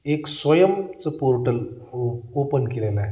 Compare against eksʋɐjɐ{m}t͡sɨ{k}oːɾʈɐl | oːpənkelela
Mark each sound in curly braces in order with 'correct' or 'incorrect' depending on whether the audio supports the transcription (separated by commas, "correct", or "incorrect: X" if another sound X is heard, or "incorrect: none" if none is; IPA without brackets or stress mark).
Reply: correct, incorrect: p